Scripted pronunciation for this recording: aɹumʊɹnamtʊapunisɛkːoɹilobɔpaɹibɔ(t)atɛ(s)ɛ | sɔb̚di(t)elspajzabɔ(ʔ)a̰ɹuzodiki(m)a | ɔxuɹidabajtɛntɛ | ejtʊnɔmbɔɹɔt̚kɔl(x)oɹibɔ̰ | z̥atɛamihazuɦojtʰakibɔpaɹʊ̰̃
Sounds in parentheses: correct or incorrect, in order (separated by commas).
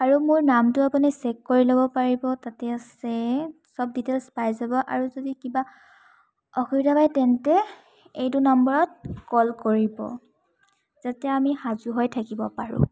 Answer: correct, correct, correct, correct, incorrect, incorrect